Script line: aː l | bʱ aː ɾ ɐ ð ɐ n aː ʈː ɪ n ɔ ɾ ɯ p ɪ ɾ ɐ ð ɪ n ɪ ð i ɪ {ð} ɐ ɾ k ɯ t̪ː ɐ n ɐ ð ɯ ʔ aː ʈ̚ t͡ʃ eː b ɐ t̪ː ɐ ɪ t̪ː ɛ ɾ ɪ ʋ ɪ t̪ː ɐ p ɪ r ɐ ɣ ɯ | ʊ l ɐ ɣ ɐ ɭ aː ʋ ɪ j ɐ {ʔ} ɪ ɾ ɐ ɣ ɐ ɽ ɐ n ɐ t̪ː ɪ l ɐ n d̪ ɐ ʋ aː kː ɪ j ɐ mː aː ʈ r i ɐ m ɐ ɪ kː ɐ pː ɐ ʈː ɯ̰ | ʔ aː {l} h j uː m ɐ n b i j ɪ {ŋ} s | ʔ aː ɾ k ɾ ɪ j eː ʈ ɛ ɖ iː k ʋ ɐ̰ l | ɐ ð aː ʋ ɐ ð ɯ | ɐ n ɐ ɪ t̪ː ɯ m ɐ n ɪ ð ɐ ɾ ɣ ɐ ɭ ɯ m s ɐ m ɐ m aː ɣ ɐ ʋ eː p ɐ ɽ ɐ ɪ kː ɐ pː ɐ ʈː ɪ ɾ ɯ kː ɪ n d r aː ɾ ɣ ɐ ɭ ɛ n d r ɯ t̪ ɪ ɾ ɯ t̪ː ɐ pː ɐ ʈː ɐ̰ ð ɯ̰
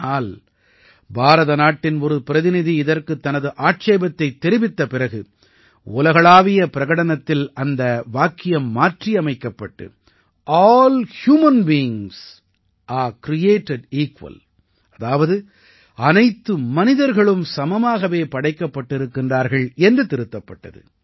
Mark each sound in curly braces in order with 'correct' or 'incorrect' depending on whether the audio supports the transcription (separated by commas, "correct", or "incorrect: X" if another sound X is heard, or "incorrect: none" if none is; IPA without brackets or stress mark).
correct, incorrect: p, correct, correct